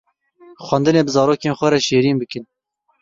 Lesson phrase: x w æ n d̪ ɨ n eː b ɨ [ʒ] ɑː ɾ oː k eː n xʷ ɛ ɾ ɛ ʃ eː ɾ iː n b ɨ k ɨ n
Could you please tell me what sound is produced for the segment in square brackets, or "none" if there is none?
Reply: z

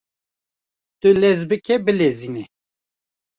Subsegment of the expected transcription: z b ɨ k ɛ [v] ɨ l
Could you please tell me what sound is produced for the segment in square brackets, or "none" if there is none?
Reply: b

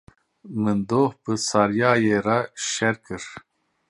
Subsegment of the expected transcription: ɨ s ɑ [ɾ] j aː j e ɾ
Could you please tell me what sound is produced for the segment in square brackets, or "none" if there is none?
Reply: ɾ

